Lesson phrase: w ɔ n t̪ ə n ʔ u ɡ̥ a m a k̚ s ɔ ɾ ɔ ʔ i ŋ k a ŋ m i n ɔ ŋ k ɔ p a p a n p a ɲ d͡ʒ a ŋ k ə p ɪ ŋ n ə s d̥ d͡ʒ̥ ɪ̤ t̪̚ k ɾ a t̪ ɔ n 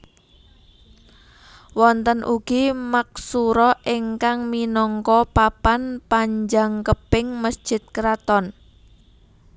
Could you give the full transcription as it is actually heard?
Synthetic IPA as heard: w ɔ n t̪ ə n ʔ u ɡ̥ i m a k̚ s u ɾ ɔ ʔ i ŋ k a ŋ m i n ɔ ŋ k ɔ p a p a n p a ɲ d͡ʒ a ŋ k ə p ɪ ŋ m ə s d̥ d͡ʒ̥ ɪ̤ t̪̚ k ɾ a t̪ ɔ n